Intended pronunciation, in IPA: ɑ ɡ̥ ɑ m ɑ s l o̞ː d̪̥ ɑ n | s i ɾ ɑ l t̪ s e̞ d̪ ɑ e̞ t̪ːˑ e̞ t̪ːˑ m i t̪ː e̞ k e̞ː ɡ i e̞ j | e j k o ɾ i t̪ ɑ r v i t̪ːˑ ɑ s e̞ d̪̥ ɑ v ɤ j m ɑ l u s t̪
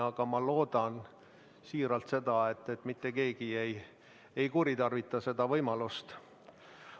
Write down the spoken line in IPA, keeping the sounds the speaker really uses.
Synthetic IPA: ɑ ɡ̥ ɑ m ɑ l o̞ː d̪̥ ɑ n | s iː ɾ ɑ l t̪ s e̞ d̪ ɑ e̞ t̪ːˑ e̞ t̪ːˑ m i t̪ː e̞ k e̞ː ɡ i e̞ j | e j k u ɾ i t̪ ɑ r v i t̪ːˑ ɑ s e̞ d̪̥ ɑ v ɤ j m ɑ l u s t̪

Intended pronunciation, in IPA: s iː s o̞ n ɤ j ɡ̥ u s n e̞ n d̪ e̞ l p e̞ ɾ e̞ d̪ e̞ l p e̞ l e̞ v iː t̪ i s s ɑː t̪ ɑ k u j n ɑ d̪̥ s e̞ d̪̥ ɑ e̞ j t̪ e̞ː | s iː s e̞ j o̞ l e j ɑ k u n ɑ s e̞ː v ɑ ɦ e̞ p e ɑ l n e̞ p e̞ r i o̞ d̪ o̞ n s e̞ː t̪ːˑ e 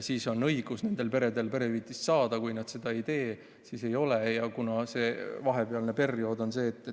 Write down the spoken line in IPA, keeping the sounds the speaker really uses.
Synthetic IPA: s iː s o̞ n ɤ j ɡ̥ u s n e̞ n d̪ e̞ l p e̞ ɾ e̞ d̪ e̞ l p e̞ ɾ e̞ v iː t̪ i s s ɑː d̪ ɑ k u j n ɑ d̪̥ s e̞ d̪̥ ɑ e̞ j t̪ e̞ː | s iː s e̞ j o̞ l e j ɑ k u n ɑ s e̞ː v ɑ ɦ e̞ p e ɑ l n e̞ p e̞ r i o̞ d̪ o̞ n s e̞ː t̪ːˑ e

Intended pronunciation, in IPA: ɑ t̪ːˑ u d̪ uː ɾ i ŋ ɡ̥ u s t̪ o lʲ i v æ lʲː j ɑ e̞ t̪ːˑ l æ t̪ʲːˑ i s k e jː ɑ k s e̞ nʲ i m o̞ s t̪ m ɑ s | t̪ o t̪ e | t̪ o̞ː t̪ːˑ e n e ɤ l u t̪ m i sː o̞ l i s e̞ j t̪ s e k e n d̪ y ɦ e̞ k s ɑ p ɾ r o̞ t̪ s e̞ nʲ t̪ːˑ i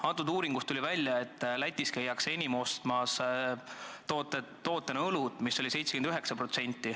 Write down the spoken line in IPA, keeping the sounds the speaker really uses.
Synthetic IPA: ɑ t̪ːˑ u d̪ uː ɾ i ŋ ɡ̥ u s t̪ u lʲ i v æ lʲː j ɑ e̞ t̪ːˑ l æ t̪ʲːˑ i s k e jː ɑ k s e̞ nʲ i m o̞ s t̪ m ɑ s | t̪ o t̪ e | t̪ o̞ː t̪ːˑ e n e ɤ l u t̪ m i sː o̞ l i s e̞ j t̪ s e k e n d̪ y ɦ e̞ k s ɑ p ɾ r o̞ t̪ s e̞ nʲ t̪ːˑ i

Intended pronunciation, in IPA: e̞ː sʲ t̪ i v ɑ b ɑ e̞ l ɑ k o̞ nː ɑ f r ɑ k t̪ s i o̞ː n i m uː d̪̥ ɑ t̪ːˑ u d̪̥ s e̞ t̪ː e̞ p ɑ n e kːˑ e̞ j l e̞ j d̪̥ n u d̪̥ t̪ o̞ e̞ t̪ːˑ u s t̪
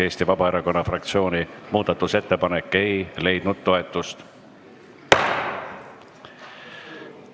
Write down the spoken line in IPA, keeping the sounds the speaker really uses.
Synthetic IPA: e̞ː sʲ t̪ i v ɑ b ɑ e̞ ɾ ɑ k o̞ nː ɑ f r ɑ k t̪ s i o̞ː n i m uː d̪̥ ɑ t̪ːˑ u s e̞ t̪ː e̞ p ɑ n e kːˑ e̞ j l e̞ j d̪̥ n u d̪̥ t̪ o̞ e̞ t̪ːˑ u s t̪

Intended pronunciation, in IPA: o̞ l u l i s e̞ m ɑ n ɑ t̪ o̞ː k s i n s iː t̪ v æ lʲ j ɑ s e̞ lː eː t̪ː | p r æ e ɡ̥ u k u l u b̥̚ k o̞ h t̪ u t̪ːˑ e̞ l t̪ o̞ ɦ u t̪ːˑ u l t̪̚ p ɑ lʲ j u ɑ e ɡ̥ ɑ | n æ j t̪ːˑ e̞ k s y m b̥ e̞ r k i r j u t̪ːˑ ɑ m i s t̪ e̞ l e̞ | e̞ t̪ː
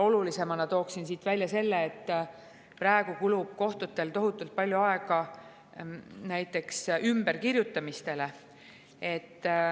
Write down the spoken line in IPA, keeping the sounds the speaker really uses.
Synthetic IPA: o̞ l u l i s e̞ m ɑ n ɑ t̪ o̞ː k s i n s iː t̪ v æ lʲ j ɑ s e̞ lː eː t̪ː | p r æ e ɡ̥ u k u l u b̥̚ k o̞ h t̪ u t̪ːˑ e̞ l t̪ o̞ ɦ u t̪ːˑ u l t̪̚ p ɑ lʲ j u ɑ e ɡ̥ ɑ | n æ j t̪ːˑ e̞ k s y m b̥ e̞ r k i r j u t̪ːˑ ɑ m i s t̪ e̞ l e̞ | e̞ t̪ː

